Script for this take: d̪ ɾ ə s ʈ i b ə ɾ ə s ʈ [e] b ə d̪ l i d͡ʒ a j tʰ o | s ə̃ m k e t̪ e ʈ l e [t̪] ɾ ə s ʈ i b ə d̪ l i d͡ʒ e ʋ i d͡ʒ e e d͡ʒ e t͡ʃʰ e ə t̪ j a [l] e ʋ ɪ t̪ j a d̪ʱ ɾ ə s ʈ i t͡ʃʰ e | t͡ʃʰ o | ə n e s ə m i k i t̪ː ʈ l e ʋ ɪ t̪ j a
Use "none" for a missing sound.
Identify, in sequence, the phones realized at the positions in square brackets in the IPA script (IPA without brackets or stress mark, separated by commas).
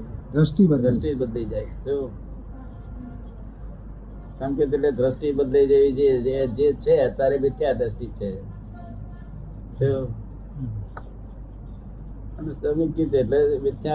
i, d̪, ɾ